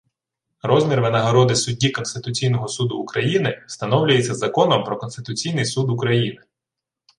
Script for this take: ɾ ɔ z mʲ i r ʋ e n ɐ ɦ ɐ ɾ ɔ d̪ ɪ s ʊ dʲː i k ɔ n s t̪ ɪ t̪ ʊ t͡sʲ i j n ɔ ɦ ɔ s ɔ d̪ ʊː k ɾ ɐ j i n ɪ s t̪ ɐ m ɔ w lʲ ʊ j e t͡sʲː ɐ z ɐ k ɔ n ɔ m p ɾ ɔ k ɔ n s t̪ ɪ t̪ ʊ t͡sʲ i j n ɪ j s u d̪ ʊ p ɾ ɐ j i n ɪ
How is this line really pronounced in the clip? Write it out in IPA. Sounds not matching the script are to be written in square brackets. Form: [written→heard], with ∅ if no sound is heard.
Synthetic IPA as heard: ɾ ɔ z mʲ i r ʋ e n ɐ ɦ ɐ ɾ ɔ d̪ ɪ s ʊ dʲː i k ɔ n s t̪ ɪ t̪ ʊ t͡sʲ i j n ɔ ɦ ɔ s [ɔ→u] d̪ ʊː k ɾ ɐ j i n ɪ s t̪ ɐ [m→n] ɔ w lʲ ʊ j e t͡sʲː ɐ z ɐ k ɔ n ɔ m p ɾ ɔ k ɔ n s t̪ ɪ t̪ ʊ t͡sʲ i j n ɪ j s u d̪ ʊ [p→k] ɾ ɐ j i n ɪ

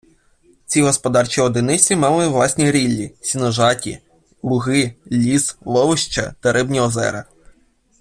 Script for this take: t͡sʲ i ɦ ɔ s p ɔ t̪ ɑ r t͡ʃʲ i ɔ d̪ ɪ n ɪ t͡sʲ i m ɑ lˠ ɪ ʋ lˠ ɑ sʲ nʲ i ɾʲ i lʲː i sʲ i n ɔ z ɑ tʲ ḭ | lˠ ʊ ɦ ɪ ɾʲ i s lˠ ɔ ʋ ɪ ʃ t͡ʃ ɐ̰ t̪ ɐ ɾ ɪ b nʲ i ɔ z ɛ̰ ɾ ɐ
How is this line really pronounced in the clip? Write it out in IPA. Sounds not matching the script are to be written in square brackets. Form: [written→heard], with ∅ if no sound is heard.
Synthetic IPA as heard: t͡sʲ i ɦ ɔ s p ɔ [t̪→d̪] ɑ r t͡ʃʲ i ɔ d̪ ɪ n ɪ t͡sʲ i m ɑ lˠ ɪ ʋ lˠ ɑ sʲ nʲ i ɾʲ i lʲː i sʲ i n ɔ [z→ʒ] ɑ tʲ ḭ | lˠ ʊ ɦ ɪ [ɾʲ→lʲ] i s lˠ ɔ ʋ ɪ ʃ t͡ʃ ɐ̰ t̪ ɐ ɾ ɪ b nʲ i ɔ z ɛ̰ ɾ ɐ

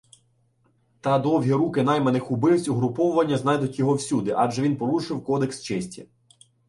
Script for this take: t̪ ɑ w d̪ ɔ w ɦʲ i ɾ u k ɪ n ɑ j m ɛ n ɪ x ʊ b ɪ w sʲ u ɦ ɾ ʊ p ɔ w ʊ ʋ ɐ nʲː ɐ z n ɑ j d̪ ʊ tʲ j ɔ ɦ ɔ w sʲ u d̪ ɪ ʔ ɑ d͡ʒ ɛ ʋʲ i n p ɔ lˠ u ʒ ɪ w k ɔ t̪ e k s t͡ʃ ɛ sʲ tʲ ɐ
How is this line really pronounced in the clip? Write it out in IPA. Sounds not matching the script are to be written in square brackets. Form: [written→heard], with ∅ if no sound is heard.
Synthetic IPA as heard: t̪ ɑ [w→∅] d̪ ɔ w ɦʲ i ɾ u k ɪ n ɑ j m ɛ n ɪ x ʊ b ɪ w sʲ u ɦ ɾ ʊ p ɔ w ʊ ʋ ɐ nʲː ɐ z n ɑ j d̪ ʊ tʲ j ɔ ɦ ɔ w sʲ u d̪ ɪ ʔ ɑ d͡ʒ ɛ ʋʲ i n p ɔ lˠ u [ʒ→ʃ] ɪ w k ɔ [t̪→d̪] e k s t͡ʃ ɛ sʲ tʲ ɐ

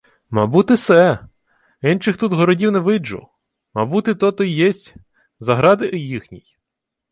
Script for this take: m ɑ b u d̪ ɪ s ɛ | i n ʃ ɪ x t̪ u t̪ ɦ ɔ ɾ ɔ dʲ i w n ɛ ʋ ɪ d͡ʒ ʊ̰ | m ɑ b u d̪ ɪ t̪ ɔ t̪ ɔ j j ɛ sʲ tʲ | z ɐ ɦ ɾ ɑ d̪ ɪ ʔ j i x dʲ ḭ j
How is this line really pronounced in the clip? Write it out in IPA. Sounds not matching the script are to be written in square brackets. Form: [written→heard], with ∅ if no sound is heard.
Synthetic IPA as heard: m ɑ b u [d̪→t̪] ɪ s ɛ | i n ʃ ɪ x t̪ u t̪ ɦ ɔ ɾ ɔ dʲ i w n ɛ ʋ ɪ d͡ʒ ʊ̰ | m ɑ b u [d̪→t̪] ɪ t̪ ɔ t̪ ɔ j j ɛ sʲ tʲ | z ɐ ɦ ɾ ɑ d̪ ɪ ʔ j i x [dʲ→nʲ] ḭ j

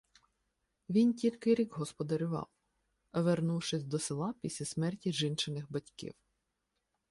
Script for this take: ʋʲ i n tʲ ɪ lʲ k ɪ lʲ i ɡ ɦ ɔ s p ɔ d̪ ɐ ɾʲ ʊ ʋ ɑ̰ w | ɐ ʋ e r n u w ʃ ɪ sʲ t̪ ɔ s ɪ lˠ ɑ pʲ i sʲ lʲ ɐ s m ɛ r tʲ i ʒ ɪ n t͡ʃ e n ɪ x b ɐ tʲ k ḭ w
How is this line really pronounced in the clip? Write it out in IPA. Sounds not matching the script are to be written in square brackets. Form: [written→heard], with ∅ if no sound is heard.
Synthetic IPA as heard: ʋʲ i n tʲ [ɪ→i] lʲ k ɪ [lʲ→ɾʲ] i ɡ ɦ ɔ s p ɔ d̪ ɐ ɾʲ ʊ ʋ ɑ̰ w | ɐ ʋ e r n u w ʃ ɪ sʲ [t̪→d̪] ɔ s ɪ lˠ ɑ pʲ i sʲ lʲ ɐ s m ɛ r tʲ i ʒ ɪ n t͡ʃ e n ɪ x b ɐ tʲ k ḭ w

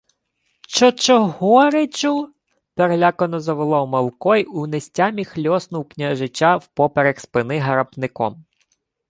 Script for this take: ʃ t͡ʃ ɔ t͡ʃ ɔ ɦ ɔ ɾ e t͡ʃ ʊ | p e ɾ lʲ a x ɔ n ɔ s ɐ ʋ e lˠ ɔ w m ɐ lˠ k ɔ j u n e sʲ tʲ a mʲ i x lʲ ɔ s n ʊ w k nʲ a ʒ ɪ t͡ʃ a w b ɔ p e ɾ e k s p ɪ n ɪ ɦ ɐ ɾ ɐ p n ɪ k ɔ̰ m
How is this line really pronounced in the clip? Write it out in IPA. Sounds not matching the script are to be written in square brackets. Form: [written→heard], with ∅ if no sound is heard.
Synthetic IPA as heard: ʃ t͡ʃ ɔ t͡ʃ ɔ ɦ ɔ ɾ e t͡ʃ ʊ | p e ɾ lʲ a [x→k] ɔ n ɔ [s→z] ɐ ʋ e lˠ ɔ w m ɐ lˠ k ɔ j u n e sʲ tʲ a mʲ i x lʲ ɔ s n ʊ w k nʲ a ʒ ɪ t͡ʃ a w [b→p] ɔ p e ɾ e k s p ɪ n ɪ ɦ ɐ ɾ ɐ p n ɪ k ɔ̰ m

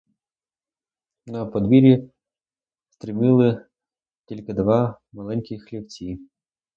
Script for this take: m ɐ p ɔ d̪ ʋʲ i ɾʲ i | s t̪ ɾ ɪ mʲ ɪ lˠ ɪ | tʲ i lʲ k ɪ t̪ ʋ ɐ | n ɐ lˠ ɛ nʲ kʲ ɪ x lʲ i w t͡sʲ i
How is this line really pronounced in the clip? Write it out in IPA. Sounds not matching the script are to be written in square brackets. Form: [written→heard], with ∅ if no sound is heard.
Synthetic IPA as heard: [m→n] ɐ p ɔ d̪ ʋʲ i ɾʲ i | s t̪ ɾ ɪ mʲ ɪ lˠ ɪ | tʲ i lʲ k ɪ [t̪→d̪] ʋ [ɐ→ɑ] | [n→m] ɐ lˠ ɛ nʲ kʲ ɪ x lʲ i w t͡sʲ i

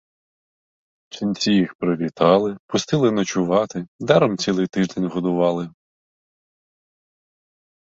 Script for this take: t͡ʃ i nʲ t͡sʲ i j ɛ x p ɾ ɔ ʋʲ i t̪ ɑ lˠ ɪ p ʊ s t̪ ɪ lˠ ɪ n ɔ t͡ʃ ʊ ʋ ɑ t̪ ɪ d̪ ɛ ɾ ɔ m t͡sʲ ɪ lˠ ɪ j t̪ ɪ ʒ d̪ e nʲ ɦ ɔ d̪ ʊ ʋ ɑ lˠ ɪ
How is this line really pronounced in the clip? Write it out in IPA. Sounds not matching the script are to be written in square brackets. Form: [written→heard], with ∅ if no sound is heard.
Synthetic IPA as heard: t͡ʃ i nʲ t͡sʲ i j [ɛ→i] x p ɾ ɔ ʋʲ i t̪ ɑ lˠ ɪ p ʊ s t̪ ɪ lˠ ɪ n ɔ t͡ʃ ʊ ʋ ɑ t̪ ɪ d̪ ɛ ɾ ɔ m t͡sʲ [ɪ→i] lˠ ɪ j t̪ ɪ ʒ d̪ e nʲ ɦ ɔ d̪ ʊ ʋ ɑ lˠ ɪ

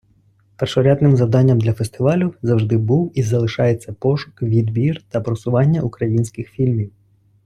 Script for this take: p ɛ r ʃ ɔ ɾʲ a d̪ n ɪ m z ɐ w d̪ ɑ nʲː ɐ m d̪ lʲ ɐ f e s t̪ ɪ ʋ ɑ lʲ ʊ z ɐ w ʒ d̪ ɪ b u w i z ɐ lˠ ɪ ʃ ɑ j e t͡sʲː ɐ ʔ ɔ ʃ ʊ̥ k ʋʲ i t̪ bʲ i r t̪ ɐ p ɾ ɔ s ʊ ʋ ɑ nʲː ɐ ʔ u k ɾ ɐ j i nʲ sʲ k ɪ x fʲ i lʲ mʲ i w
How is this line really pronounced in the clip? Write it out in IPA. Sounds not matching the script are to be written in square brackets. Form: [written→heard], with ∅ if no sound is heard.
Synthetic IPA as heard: p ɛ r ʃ ɔ ɾʲ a d̪ n ɪ m z ɐ w d̪ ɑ nʲː ɐ m d̪ lʲ ɐ f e s t̪ ɪ ʋ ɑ lʲ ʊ z ɐ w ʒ d̪ ɪ b u w i z ɐ lˠ ɪ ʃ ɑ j e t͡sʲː ɐ [ʔ→p] ɔ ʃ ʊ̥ k ʋʲ i [t̪→d̪] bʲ i r t̪ ɐ p ɾ ɔ s ʊ ʋ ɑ nʲː ɐ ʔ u k ɾ ɐ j i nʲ sʲ k ɪ x fʲ i lʲ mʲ i w

